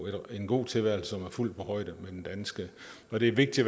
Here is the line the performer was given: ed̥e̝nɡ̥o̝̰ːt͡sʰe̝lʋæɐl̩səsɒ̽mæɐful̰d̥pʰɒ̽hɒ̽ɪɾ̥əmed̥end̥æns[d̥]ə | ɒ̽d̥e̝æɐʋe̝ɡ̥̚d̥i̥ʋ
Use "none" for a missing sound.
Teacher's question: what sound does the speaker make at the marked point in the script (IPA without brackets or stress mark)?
ɡ̥